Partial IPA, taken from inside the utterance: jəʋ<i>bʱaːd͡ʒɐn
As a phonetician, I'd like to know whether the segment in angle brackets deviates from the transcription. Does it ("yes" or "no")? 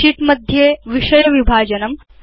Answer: no